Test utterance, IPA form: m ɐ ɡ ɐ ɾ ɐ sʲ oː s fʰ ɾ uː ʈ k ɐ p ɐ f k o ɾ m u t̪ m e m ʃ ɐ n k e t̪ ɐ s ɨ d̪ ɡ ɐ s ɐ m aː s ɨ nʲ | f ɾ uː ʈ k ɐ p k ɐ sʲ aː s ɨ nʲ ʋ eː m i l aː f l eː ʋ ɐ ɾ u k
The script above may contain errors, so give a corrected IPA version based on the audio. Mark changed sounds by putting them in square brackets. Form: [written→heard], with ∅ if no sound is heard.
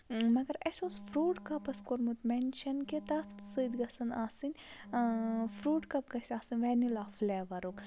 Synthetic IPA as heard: m ɐ ɡ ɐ ɾ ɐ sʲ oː s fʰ ɾ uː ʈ k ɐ p ɐ [f→s] k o ɾ m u t̪ m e [m→n] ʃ ɐ n k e t̪ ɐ s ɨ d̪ ɡ ɐ s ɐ [m→n] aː s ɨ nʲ | f ɾ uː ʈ k ɐ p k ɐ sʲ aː s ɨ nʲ ʋ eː [m→n] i l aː f l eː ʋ ɐ ɾ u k